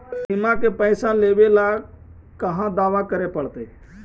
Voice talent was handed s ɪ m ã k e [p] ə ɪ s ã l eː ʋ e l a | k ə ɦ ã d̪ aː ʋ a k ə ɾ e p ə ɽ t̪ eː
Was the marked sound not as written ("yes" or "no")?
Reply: no